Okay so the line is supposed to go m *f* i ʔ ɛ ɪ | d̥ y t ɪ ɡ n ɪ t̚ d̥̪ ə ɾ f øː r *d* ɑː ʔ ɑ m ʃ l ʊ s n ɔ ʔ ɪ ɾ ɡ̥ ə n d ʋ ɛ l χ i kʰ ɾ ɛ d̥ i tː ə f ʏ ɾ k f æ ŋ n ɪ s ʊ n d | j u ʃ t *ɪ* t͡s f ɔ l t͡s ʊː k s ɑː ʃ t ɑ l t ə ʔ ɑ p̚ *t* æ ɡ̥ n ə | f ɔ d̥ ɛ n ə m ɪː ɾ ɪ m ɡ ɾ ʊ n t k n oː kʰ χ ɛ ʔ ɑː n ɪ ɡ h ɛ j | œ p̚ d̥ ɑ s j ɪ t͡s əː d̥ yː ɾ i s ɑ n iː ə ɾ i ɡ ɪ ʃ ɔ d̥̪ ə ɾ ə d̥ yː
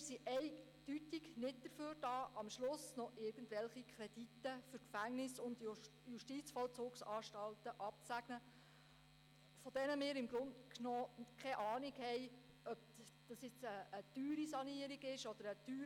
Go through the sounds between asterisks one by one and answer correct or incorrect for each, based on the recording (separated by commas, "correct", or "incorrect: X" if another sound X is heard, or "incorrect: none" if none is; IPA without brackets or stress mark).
incorrect: s, correct, incorrect: i, incorrect: t͡s